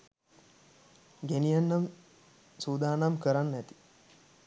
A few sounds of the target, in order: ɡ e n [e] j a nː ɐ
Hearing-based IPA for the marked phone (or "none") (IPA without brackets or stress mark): i